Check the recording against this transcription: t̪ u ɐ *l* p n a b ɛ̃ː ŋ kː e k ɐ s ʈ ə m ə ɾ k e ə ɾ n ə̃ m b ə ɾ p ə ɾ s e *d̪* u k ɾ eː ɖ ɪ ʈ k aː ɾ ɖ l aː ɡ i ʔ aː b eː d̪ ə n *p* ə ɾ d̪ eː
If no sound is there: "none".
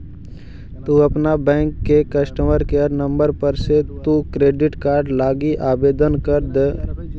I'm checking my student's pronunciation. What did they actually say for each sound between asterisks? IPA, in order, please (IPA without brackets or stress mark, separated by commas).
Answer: none, t̪, k